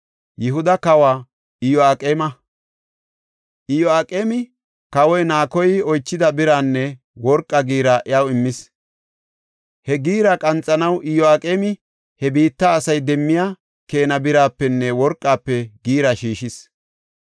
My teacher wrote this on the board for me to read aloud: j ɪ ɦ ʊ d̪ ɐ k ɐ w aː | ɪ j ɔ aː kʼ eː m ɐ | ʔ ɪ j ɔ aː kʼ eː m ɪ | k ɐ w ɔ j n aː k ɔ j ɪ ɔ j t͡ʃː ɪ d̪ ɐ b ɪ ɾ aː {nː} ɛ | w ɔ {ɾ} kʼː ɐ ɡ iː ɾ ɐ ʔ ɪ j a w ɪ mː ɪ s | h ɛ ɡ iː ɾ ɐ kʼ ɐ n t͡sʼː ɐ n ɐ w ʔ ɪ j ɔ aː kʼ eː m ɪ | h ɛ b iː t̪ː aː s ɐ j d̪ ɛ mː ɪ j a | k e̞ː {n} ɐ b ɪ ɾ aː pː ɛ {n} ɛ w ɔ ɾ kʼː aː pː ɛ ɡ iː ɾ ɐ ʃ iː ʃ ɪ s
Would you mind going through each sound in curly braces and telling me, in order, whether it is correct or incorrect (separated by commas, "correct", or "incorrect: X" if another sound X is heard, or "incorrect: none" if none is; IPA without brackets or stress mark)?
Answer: correct, correct, correct, incorrect: nː